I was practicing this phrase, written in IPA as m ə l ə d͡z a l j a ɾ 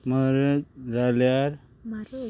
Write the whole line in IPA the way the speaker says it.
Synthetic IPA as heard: m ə ɾ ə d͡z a l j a ɾ